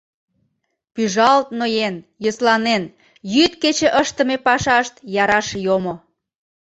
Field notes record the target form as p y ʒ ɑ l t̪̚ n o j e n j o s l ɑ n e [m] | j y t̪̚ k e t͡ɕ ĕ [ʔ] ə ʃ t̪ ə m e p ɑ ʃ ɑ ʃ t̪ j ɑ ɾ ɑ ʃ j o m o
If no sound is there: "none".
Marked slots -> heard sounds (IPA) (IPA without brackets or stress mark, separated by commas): n, ʔ